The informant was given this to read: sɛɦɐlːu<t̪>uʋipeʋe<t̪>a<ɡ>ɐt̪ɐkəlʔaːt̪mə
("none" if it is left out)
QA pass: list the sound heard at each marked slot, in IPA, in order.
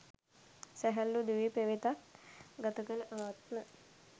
d̪, t̪, ɡ

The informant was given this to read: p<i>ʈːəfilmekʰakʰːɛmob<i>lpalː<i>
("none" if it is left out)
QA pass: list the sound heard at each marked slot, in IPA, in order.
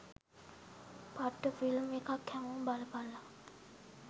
a, a, a

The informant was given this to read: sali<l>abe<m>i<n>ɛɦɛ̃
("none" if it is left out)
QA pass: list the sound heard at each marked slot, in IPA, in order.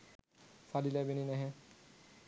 l, n, n

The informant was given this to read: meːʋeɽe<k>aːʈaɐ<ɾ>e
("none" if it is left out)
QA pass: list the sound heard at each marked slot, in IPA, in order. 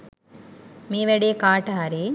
k, ɾ

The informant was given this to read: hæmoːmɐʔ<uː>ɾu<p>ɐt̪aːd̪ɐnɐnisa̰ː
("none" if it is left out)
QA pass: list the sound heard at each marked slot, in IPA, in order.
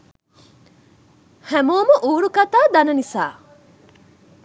uː, k

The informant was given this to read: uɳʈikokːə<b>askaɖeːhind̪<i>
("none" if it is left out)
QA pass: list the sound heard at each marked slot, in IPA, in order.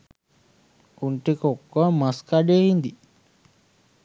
m, i

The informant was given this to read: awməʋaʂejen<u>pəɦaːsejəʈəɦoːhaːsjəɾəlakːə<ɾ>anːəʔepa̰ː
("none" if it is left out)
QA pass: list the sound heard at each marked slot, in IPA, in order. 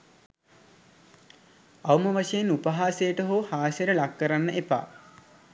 u, ɾ

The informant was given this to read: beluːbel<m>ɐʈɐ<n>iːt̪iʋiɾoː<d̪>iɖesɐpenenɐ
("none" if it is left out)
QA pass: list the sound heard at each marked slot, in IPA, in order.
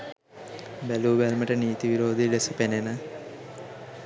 m, n, d̪

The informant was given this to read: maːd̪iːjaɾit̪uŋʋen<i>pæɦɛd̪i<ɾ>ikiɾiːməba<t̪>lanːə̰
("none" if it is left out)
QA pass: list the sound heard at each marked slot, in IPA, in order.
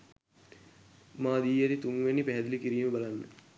i, l, none

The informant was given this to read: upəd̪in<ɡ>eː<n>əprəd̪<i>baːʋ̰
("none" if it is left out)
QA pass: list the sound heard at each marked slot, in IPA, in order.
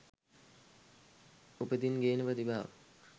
ɡ, n, i

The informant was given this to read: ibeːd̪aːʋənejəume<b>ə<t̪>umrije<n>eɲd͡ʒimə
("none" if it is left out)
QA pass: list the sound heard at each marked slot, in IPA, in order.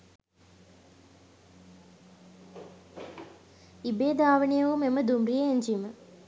m, d̪, none

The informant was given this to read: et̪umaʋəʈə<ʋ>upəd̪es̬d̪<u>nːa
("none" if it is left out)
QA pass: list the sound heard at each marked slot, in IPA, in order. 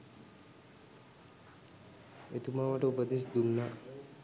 none, u

